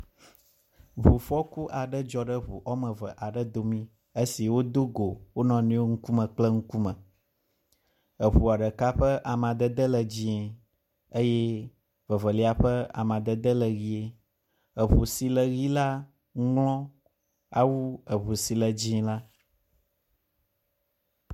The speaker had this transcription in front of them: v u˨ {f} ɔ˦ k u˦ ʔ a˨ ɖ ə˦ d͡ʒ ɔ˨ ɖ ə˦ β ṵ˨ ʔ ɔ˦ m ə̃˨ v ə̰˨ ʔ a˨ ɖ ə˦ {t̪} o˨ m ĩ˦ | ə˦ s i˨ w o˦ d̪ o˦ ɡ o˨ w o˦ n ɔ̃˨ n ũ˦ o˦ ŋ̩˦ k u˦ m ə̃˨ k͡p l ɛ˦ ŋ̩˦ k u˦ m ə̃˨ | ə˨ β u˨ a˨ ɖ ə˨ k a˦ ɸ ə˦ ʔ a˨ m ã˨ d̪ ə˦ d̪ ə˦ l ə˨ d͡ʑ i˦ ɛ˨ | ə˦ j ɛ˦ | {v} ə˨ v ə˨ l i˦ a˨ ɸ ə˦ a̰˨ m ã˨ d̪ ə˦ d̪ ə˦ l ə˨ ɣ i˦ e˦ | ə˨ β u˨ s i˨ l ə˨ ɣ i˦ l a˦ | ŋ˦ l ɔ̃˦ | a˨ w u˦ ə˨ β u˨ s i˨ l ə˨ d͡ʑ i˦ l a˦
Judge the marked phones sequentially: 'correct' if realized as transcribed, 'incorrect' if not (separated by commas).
correct, incorrect, correct